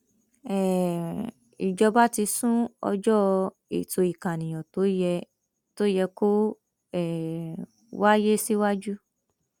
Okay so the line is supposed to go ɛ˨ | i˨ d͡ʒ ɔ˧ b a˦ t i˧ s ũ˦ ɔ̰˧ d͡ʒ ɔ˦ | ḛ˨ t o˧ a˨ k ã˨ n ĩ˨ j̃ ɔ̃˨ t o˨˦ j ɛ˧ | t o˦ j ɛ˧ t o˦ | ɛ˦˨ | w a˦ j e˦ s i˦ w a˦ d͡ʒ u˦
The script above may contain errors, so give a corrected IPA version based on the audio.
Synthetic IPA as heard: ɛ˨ | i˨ d͡ʒ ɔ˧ b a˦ t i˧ s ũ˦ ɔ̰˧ d͡ʒ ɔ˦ | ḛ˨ t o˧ i˨ k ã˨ n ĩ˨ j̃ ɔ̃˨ t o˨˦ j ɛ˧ | t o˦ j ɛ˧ k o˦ | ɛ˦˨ | w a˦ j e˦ s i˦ w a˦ d͡ʒ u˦